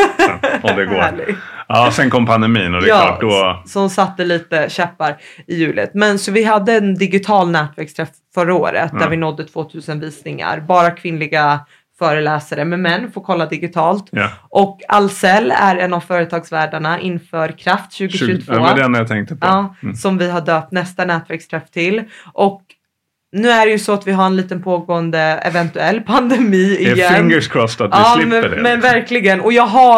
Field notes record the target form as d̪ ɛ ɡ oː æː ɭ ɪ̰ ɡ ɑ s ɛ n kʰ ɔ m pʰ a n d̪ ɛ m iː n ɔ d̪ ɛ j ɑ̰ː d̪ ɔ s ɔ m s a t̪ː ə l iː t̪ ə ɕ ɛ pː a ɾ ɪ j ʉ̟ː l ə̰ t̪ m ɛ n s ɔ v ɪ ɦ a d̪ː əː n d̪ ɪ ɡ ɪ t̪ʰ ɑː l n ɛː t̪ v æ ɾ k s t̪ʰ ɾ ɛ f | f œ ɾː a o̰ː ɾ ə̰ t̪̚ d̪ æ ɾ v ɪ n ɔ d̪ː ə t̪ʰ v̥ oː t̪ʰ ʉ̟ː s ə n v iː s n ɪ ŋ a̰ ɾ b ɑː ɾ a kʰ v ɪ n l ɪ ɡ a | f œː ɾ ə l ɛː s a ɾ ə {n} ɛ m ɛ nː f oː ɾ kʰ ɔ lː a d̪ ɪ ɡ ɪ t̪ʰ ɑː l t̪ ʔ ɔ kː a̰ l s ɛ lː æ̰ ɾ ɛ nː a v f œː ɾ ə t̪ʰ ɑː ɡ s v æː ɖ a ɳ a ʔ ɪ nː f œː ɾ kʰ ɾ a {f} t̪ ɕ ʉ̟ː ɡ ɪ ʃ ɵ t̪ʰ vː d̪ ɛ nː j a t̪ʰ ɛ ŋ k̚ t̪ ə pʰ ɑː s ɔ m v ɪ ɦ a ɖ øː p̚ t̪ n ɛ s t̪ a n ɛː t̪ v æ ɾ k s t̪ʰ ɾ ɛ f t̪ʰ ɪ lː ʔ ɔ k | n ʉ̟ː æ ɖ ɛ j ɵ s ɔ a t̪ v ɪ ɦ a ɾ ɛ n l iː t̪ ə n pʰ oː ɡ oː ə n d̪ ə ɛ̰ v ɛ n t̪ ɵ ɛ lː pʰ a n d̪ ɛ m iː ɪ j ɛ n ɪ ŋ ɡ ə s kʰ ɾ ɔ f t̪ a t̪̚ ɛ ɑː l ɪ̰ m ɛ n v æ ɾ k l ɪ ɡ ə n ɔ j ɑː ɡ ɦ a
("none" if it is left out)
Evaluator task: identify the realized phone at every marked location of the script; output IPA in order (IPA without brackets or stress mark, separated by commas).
m, f